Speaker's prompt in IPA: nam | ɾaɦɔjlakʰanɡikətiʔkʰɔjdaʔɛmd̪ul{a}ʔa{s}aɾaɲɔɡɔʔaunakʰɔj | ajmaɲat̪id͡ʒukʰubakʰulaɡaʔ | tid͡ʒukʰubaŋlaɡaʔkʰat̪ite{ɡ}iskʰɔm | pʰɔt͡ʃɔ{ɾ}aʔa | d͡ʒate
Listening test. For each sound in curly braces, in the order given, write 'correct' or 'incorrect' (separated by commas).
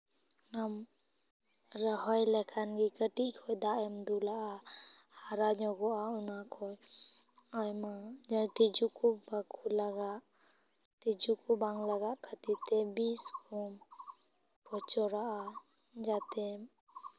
correct, incorrect, incorrect, correct